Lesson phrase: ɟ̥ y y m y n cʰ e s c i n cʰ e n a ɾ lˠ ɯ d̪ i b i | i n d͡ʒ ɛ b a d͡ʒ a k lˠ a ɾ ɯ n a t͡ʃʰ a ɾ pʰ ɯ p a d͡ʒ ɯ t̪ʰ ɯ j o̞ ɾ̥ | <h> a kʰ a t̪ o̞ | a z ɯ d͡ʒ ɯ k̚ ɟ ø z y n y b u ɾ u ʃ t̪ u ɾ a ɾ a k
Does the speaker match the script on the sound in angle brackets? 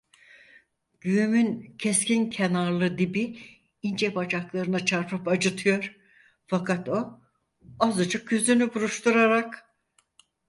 no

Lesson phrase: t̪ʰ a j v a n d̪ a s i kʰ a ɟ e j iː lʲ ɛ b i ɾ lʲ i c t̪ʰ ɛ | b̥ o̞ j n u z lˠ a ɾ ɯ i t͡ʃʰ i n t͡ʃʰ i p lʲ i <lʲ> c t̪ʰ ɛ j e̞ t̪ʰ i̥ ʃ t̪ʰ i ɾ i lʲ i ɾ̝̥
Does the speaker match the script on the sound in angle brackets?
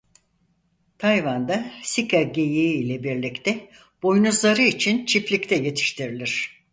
no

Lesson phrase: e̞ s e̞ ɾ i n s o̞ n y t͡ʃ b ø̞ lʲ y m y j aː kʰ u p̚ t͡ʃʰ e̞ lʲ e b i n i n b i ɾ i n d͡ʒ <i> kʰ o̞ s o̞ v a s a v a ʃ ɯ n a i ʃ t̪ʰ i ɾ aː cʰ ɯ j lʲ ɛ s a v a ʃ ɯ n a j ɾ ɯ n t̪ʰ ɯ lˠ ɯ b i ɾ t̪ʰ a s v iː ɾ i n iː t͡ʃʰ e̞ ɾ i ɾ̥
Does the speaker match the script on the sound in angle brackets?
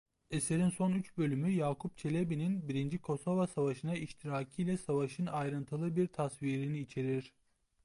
yes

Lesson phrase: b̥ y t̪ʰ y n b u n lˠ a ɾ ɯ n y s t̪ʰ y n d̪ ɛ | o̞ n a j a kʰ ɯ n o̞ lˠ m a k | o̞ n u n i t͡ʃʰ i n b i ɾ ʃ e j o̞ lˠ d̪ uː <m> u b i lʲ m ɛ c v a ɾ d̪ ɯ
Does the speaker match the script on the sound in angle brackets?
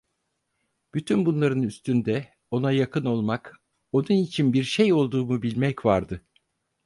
yes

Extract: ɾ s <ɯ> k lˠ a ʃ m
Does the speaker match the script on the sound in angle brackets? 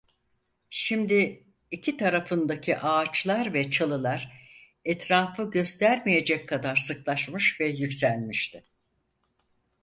yes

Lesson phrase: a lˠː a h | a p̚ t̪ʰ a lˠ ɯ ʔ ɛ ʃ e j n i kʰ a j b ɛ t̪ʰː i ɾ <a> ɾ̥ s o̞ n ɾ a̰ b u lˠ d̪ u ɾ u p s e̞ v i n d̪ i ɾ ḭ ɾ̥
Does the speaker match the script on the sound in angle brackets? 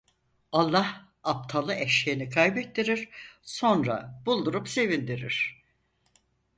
no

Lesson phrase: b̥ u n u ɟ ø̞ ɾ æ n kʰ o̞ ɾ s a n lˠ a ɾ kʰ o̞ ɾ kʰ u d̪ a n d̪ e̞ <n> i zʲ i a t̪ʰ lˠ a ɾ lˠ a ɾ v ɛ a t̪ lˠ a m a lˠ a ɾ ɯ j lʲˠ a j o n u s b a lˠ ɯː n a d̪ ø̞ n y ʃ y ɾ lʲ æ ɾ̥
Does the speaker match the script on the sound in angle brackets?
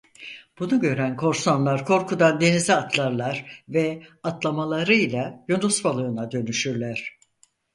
yes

